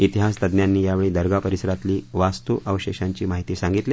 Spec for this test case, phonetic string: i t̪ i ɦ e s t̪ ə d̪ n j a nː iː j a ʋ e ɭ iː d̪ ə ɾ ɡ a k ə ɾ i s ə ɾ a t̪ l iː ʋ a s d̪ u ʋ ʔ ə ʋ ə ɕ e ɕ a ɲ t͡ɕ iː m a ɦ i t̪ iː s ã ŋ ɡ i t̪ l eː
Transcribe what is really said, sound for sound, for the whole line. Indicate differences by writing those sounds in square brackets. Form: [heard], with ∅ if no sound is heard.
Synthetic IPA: i t̪ i ɦ [a] s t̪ ə d̪ n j a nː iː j a ʋ e ɭ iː d̪ ə ɾ ɡ a [p] ə ɾ i s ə ɾ a t̪ l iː ʋ a s [t̪] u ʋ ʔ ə ʋ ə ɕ e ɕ a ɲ t͡ɕ iː m a ɦ i t̪ iː s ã ŋ ɡ i t̪ l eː